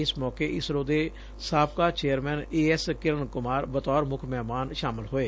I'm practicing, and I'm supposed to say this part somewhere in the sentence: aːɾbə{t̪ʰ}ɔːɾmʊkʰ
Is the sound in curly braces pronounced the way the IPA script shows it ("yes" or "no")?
no